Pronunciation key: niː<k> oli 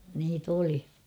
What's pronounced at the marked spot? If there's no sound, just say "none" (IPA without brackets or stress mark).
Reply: t